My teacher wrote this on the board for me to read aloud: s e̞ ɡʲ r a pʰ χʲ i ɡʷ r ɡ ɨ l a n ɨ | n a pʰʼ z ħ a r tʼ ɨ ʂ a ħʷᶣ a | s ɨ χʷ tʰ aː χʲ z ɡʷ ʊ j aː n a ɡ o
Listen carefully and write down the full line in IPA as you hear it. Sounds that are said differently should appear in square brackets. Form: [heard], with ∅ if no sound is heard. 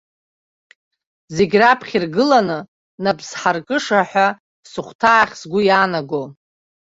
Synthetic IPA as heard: [z] e̞ ɡʲ r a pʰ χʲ i [∅] r ɡ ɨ l a n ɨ | n a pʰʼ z ħ a r [kʼ] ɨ ʂ a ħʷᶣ a | s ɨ χʷ tʰ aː χʲ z ɡʷ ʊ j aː n a ɡ o

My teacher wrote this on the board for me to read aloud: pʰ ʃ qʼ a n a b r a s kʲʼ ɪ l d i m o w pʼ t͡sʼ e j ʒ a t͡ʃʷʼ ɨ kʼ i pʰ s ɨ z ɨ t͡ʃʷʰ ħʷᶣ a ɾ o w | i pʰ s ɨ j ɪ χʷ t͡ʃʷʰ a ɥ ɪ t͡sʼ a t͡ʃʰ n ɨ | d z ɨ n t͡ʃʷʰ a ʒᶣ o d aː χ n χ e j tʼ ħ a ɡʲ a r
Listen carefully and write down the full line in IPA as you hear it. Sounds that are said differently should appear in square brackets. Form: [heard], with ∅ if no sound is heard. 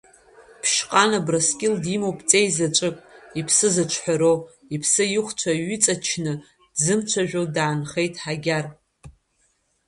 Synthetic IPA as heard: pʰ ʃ qʼ a n a b r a s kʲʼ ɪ l d i m o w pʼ t͡sʼ e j [z] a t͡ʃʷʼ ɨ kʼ i pʰ s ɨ z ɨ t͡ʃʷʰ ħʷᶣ a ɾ o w | i pʰ s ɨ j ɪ χʷ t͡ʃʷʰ a ɥ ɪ t͡sʼ a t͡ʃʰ n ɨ | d z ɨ [m] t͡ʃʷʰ a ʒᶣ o d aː [∅] n χ e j tʼ ħ a ɡʲ a r

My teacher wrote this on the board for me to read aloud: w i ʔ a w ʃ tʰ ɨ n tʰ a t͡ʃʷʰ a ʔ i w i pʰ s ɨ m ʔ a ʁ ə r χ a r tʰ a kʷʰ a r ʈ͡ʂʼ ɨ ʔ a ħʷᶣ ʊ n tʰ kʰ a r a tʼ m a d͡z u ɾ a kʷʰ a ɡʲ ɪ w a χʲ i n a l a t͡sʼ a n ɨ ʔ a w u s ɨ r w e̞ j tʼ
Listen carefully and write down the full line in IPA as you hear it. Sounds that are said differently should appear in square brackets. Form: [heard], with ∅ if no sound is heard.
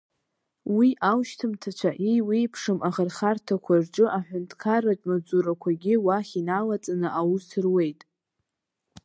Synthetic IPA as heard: w i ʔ a w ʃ tʰ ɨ [m] tʰ a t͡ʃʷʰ a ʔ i w i pʰ [ʂ] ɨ m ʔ a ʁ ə r χ a r tʰ a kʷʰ a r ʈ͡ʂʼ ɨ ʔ a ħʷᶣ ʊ n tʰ kʰ a r a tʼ m a d͡z u ɾ a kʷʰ a ɡʲ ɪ w a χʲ i n a l a t͡sʼ a n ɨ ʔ a w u s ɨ r w e̞ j tʼ

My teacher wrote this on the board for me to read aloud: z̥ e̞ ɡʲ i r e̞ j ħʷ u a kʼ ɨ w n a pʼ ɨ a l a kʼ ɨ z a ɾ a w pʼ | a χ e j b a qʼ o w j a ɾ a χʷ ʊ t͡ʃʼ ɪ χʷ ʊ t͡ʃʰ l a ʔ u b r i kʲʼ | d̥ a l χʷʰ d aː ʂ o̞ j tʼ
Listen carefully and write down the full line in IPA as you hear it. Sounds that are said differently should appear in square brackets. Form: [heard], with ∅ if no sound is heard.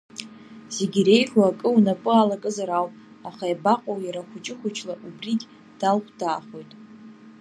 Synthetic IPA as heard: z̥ e̞ ɡʲ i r e̞ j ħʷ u a kʼ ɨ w n a pʼ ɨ a l a kʼ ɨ z a ɾ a w pʼ | a χ [a] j b a qʼ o w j a ɾ a χʷ ʊ t͡ʃʼ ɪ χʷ ʊ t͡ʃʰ l a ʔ u b r i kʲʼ | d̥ a l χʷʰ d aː [χ] o̞ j tʼ

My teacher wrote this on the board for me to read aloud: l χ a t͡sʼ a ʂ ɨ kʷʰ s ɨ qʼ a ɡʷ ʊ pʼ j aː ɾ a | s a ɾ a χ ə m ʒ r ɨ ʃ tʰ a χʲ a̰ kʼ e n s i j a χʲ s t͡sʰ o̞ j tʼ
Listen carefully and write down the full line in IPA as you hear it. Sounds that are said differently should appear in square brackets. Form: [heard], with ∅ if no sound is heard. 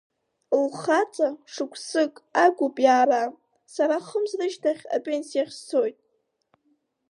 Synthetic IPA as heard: l χ a t͡sʼ a ʂ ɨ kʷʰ s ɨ [kʼ] a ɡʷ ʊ pʼ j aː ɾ a | s a ɾ a χ ə m [z] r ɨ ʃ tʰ a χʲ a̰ [pʼ] e n s i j a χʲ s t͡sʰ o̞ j tʼ

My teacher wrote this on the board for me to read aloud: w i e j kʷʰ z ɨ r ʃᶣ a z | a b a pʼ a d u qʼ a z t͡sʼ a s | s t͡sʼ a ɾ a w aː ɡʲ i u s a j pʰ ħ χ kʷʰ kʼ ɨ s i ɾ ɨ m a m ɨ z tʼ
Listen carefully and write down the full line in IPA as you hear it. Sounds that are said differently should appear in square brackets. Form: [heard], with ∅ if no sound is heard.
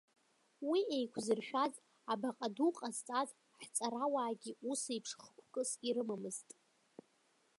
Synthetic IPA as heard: w i e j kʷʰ z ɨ r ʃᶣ a z | a b a [qʼ] a d u qʼ a z t͡sʼ a [z] | [ħ] t͡sʼ a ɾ a w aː ɡʲ i u s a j pʰ [ʂ] χ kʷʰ kʼ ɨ s i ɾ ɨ m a m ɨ z tʼ

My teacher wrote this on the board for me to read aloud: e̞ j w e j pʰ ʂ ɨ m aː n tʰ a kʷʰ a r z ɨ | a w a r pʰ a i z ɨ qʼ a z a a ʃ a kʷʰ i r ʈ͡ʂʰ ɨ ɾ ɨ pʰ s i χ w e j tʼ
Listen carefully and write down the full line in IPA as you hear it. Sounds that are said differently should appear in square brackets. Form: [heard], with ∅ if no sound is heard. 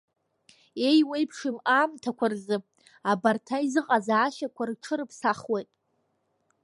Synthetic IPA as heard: e̞ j w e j pʰ ʂ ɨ m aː [m] tʰ a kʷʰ a r z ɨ | a [b] a r [tʰ] a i z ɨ qʼ a z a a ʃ a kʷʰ [a] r ʈ͡ʂʰ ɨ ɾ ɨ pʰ s [a] χ w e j tʼ

